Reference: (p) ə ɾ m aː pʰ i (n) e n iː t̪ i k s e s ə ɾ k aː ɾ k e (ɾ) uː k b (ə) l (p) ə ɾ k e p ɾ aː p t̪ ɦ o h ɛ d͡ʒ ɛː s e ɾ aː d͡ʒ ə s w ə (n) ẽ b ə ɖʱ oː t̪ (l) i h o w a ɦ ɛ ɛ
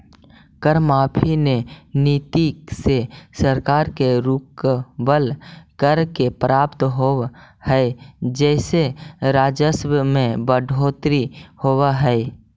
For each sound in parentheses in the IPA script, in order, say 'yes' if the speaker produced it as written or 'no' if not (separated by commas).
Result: no, yes, yes, yes, no, no, no